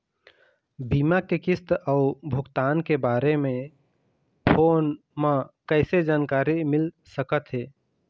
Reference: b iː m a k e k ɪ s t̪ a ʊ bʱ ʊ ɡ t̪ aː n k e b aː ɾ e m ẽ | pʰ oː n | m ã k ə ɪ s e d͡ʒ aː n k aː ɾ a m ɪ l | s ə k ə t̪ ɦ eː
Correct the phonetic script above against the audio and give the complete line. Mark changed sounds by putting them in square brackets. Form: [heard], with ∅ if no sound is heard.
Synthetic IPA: b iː m a k e k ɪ s t̪ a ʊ bʱ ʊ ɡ t̪ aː n k e b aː ɾ e m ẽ | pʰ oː n | m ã k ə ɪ s e d͡ʒ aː n k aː ɾ [i] m ɪ l | s ə k ə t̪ ɦ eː